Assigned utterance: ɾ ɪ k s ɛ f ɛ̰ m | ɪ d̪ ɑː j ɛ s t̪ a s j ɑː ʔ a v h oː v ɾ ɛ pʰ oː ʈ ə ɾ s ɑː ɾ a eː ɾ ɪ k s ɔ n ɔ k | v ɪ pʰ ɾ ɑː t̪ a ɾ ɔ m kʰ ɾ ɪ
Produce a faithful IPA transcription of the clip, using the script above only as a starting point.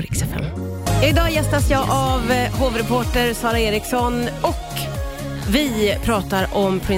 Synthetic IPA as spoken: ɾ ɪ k s ɛ f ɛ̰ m | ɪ d̪ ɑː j ɛ s t̪ a s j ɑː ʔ a v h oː v ɾ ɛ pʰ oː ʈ ə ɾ s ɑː ɾ a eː ɾ ɪ k s ɔ n ɔ k | v ɪ pʰ ɾ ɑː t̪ a ɾ ɔ m pʰ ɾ ɪ